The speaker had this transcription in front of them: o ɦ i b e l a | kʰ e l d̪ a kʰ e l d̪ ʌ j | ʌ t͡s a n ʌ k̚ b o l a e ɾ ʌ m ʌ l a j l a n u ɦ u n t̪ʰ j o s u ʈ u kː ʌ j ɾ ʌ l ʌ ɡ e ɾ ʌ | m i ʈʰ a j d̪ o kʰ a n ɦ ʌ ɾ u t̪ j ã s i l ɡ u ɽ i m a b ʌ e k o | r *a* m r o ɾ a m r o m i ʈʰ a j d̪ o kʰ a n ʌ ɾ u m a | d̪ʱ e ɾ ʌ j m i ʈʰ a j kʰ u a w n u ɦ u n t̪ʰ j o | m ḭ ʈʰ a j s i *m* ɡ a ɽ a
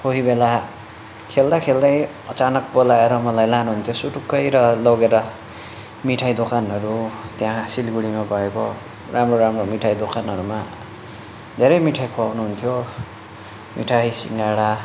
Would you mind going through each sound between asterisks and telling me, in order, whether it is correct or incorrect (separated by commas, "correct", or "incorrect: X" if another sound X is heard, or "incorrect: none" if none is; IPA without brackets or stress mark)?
correct, incorrect: ŋ